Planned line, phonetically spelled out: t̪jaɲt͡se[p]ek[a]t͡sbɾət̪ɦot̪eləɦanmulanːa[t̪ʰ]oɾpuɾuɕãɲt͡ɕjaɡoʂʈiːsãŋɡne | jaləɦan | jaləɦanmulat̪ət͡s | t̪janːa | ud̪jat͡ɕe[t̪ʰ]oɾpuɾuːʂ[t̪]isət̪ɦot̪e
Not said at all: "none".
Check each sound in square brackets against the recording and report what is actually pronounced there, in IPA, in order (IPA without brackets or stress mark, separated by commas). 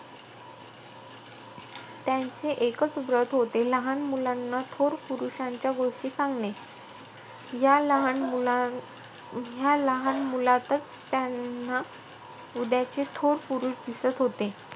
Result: ʔ, ə, t̪ʰ, t̪ʰ, d̪